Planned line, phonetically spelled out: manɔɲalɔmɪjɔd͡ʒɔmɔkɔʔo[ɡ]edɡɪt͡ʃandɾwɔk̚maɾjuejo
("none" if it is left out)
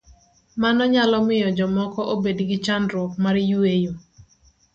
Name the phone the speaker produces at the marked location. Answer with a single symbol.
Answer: b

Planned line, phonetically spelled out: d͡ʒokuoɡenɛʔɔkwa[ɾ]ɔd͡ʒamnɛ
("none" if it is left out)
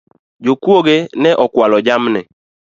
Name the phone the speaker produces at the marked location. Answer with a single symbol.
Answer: l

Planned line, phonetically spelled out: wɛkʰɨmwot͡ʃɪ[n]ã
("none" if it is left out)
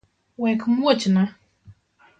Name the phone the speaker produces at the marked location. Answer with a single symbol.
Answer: n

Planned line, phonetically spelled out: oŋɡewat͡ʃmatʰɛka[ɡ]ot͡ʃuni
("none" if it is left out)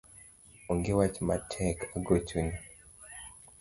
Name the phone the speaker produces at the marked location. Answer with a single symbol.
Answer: ɡ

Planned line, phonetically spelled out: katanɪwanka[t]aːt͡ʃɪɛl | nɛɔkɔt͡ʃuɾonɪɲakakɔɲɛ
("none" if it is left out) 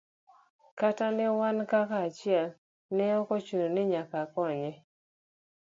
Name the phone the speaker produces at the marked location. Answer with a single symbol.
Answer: k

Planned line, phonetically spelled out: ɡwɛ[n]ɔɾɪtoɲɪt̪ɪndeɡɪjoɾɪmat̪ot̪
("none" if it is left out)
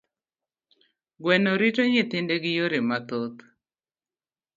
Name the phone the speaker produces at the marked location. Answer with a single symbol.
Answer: n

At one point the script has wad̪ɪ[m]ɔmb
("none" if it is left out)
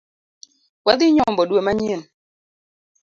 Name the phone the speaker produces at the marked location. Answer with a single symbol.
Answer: ɲ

